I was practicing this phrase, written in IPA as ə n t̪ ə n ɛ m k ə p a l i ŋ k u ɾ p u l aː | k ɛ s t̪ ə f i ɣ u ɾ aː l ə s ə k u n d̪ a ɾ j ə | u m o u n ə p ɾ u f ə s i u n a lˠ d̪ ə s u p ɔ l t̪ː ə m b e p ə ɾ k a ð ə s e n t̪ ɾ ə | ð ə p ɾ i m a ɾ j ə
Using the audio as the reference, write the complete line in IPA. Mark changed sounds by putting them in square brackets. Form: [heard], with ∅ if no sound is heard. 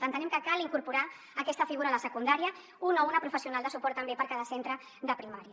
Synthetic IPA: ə n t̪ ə n ɛ m k ə [k] a l i ŋ k u ɾ p u [ɾ] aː | k ɛ s t̪ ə f i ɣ u ɾ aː l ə s ə k u n d̪ a ɾ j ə | u [n] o u n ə p ɾ u f ə s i u n a lˠ d̪ ə s u p ɔ [ɾ] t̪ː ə m b e p ə ɾ k a ð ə s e n t̪ ɾ ə | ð ə p ɾ i m a ɾ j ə